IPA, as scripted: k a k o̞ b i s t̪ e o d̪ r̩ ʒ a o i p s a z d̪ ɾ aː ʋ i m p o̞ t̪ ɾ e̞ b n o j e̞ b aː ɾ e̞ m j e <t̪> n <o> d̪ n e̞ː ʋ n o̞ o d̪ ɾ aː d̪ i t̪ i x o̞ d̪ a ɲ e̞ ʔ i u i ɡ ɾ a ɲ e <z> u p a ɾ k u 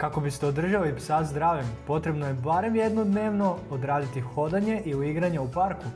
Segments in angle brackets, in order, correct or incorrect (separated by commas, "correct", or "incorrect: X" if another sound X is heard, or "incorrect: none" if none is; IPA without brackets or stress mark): incorrect: d̪, correct, incorrect: none